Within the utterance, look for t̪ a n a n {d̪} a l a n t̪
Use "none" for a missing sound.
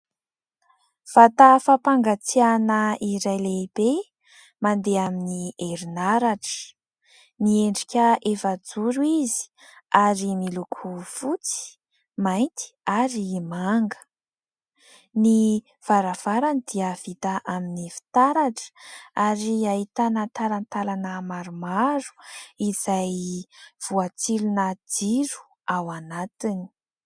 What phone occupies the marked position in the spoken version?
t̪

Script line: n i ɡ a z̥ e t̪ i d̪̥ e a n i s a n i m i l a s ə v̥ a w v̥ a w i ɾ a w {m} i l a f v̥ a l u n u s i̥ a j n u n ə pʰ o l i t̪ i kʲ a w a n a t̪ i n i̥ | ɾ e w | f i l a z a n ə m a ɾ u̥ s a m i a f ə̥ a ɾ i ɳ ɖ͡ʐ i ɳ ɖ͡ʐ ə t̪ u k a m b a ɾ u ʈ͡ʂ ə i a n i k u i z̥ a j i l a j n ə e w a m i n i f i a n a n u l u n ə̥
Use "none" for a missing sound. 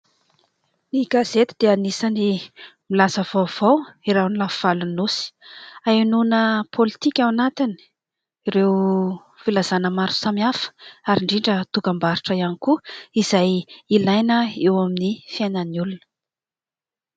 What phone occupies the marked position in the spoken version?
n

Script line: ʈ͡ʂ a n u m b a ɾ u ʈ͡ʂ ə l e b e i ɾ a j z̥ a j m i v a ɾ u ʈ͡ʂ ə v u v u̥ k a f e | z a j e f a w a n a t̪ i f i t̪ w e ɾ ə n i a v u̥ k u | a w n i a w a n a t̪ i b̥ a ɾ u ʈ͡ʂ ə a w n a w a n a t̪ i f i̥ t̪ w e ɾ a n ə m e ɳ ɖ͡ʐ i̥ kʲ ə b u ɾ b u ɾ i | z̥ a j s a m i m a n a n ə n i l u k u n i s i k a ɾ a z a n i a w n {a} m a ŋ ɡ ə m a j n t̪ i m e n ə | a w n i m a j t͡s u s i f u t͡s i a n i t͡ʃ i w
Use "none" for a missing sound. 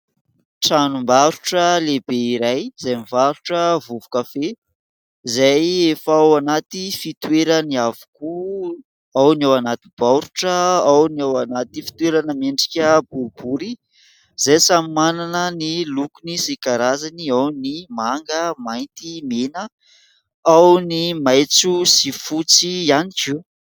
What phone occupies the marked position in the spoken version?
i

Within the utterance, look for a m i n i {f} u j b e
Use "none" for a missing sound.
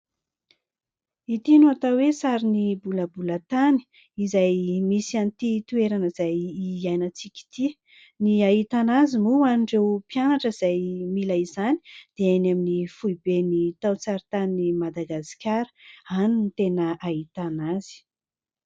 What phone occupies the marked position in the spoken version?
f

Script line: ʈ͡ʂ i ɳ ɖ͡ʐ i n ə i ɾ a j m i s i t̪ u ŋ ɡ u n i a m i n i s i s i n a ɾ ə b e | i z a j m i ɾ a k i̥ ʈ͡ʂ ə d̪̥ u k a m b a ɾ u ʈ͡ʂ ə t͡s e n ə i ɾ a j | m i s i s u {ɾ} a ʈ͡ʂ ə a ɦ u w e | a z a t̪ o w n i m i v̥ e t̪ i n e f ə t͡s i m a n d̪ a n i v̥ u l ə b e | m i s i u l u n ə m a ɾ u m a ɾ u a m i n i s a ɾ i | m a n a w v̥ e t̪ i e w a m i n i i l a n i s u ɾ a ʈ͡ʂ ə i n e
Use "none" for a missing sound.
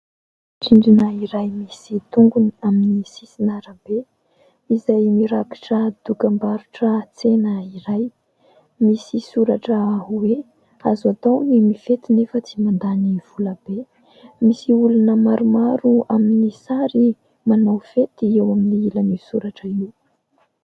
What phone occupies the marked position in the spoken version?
ɾ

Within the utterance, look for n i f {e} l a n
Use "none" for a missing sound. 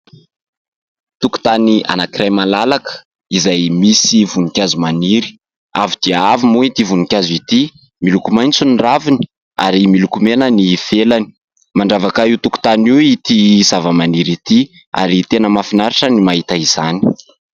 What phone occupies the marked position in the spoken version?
e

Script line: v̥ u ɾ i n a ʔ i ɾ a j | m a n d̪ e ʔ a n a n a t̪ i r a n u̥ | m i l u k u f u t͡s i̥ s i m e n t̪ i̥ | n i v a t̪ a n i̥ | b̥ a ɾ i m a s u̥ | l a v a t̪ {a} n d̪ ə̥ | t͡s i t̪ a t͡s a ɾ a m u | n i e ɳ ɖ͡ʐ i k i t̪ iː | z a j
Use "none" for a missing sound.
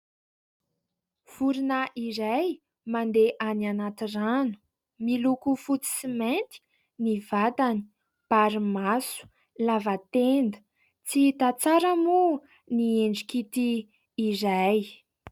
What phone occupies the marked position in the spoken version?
e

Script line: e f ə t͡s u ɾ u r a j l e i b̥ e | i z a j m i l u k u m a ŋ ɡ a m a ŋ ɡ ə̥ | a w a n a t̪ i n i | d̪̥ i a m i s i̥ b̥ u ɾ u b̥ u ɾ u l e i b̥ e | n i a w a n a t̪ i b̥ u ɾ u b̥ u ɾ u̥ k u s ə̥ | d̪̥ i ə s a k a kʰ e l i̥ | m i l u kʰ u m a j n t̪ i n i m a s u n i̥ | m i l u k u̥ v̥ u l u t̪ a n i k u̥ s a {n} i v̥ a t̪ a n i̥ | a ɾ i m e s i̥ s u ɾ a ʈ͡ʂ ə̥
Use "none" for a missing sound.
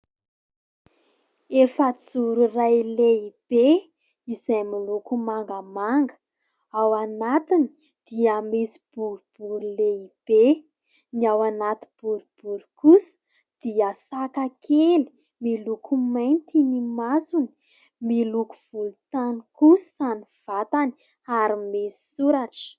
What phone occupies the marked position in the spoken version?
n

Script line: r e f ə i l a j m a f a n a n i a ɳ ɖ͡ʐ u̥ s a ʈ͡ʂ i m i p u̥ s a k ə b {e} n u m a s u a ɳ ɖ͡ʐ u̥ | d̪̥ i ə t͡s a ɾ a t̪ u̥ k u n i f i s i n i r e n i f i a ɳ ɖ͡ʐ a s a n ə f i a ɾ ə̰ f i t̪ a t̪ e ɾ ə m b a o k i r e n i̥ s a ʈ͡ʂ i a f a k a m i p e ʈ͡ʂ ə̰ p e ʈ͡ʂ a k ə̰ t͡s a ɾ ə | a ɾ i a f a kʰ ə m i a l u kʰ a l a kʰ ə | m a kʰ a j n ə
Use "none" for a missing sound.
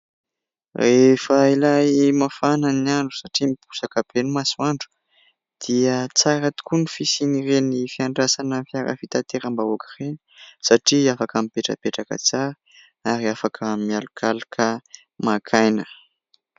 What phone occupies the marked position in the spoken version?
e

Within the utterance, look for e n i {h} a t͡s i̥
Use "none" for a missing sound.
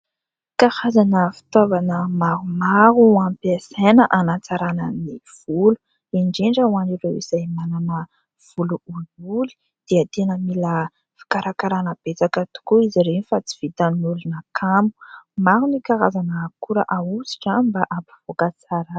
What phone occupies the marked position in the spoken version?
f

